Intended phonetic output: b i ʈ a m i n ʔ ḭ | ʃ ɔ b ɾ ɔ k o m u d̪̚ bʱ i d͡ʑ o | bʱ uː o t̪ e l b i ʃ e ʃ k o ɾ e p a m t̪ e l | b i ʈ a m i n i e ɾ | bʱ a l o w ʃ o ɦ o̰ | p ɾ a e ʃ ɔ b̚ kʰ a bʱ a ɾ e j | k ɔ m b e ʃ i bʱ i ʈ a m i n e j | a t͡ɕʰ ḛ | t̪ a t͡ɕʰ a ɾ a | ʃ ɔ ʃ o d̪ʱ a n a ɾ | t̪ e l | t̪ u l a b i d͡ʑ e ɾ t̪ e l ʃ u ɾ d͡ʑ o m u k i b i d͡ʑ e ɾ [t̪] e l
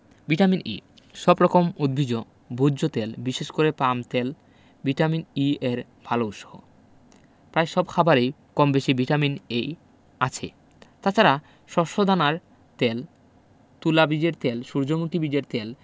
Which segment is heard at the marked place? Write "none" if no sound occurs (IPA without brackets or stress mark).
t̪